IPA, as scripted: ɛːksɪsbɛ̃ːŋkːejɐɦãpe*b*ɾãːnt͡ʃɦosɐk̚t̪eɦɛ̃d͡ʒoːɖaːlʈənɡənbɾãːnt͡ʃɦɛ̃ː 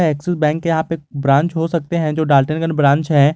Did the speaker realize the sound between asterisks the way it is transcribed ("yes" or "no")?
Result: yes